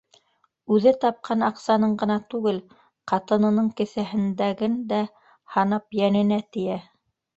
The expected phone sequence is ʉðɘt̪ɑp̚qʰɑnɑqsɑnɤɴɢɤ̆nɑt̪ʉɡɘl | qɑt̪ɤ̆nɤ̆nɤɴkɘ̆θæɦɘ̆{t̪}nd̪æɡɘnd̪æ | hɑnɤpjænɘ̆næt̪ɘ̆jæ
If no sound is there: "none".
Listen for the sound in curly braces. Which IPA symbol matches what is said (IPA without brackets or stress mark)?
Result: none